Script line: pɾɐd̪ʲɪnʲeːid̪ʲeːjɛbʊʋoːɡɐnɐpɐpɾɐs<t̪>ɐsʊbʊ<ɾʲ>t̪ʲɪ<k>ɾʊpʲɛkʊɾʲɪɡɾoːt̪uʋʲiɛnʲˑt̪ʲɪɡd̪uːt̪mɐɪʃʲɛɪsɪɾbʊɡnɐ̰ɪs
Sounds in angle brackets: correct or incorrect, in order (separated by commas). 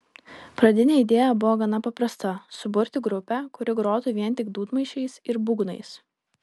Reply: correct, correct, incorrect